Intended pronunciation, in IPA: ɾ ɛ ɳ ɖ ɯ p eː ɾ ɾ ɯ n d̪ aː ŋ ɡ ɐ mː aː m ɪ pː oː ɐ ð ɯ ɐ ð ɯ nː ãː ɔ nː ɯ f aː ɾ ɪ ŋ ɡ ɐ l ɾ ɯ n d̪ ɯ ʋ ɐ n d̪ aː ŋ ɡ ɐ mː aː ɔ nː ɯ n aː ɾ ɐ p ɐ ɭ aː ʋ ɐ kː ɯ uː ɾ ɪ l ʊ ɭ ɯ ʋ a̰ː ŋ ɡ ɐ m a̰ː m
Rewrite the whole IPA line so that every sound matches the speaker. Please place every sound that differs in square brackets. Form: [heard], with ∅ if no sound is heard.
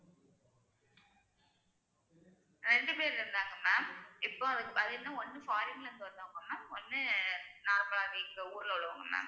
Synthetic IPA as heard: ɾ ɛ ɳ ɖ ɯ p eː ɾ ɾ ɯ n d̪ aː ŋ ɡ ɐ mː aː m ɪ pː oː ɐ ð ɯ ɐ ð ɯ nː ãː ɔ nː ɯ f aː ɾ ɪ ŋ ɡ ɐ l ɾ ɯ n d̪ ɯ ʋ ɐ n d̪ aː ŋ ɡ ɐ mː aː ɔ nː ɯ n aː ɾ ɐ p ɐ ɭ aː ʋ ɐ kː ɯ uː ɾ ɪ l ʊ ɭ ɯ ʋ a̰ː ŋ ɡ ɐ m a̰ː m